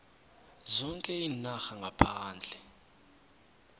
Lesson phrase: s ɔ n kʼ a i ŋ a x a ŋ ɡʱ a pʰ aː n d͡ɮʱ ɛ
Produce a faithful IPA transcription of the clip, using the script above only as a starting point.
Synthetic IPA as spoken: z ɔ ŋ kʼ ɛ i n a x a ŋ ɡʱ a pʰ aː n d͡ɮʱ ɛ